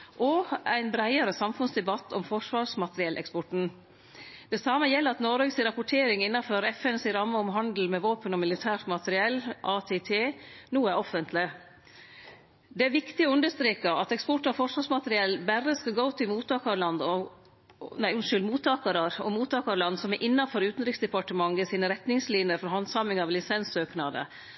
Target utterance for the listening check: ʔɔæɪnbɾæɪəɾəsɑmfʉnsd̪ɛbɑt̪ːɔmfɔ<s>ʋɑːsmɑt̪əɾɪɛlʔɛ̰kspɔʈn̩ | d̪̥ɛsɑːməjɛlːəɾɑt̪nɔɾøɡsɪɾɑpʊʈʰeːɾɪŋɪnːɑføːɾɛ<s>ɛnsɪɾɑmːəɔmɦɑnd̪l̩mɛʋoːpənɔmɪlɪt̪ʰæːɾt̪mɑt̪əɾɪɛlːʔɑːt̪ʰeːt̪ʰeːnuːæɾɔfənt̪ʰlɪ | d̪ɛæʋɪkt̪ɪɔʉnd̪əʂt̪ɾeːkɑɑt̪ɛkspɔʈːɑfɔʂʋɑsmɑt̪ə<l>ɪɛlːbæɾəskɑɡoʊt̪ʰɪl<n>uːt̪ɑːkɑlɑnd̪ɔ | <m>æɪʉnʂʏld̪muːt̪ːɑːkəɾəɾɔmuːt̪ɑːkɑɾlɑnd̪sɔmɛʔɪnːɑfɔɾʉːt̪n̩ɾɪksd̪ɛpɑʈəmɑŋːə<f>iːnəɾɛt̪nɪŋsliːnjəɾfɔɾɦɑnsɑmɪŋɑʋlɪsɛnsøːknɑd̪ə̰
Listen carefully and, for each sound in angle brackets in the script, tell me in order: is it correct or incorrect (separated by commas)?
incorrect, incorrect, incorrect, incorrect, incorrect, incorrect